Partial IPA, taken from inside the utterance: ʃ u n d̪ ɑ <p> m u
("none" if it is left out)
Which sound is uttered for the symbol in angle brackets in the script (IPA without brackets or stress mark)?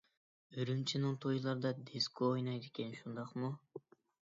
q